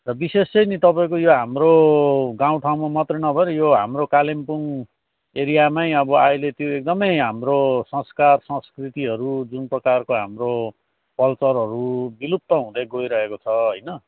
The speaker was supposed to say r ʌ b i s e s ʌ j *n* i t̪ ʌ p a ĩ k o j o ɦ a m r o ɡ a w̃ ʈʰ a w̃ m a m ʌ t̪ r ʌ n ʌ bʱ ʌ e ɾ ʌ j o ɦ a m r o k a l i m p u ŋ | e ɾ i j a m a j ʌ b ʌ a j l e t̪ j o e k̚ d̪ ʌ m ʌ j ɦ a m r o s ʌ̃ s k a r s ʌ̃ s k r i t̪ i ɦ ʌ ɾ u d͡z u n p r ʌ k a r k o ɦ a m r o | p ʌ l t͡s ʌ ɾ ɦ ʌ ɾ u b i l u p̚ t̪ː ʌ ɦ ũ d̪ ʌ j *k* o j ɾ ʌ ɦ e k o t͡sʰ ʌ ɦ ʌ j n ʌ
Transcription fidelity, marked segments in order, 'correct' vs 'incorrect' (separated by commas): correct, incorrect